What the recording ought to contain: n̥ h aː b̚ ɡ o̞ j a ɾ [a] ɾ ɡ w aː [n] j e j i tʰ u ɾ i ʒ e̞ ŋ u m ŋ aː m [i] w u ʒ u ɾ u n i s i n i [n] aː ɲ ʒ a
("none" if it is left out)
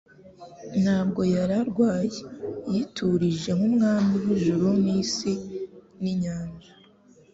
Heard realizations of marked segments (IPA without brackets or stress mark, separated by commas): a, none, i, ɲ